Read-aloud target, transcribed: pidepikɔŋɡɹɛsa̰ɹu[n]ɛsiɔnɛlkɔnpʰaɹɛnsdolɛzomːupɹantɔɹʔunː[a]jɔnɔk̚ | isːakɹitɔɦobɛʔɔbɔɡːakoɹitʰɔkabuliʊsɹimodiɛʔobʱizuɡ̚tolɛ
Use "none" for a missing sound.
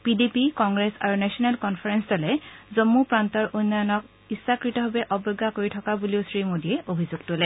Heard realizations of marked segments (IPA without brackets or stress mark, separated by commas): n, a